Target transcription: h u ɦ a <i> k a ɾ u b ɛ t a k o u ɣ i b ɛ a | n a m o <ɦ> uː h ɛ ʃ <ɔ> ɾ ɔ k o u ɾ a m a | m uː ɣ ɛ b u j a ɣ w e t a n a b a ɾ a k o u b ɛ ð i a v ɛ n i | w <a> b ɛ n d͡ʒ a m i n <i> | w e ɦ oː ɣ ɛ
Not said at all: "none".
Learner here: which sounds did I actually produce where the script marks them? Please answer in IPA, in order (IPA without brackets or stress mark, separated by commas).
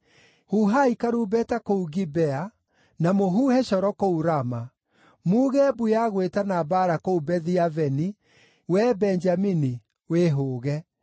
i, ɦ, ɔ, ɛ, i